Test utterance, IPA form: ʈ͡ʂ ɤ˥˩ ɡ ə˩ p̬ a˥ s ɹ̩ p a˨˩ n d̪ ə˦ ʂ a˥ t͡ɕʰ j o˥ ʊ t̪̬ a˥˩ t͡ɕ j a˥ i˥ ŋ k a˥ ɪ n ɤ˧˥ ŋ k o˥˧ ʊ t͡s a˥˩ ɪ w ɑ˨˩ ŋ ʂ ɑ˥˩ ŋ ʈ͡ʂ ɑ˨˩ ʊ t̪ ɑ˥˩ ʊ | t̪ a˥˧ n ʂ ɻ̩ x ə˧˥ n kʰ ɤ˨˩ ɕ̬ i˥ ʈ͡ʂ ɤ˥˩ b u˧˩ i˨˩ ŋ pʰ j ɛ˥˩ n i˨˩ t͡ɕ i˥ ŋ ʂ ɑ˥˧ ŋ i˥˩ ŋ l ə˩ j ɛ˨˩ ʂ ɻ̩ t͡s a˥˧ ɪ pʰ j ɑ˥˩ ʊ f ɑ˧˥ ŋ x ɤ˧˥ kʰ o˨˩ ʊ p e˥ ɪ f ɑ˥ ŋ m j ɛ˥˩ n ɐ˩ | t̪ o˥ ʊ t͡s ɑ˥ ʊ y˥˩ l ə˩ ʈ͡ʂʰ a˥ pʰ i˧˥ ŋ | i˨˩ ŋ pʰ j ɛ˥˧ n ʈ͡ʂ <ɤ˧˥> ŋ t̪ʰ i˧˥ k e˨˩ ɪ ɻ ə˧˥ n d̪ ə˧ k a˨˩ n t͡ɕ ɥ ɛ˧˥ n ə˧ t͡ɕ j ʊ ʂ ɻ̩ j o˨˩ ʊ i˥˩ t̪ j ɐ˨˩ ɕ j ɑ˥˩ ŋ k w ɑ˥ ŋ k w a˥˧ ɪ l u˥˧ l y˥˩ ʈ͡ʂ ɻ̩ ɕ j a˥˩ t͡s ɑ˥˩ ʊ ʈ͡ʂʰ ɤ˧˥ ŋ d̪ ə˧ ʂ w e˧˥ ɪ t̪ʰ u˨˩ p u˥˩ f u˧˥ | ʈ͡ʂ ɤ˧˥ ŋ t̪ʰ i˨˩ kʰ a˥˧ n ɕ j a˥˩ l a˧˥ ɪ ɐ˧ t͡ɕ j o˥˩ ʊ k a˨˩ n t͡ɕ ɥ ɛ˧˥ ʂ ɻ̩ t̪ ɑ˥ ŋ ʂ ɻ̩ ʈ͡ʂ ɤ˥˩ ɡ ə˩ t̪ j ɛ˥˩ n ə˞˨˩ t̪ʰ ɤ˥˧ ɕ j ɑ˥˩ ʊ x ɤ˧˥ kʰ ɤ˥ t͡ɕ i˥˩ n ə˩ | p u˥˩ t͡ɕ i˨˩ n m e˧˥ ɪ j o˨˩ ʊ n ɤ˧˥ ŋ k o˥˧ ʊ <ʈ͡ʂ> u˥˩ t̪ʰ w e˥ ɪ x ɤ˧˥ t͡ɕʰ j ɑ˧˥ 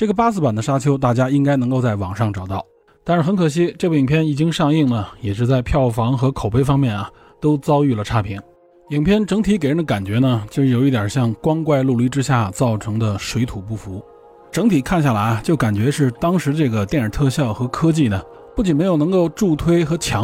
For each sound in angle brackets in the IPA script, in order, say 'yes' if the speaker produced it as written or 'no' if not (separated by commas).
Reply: yes, yes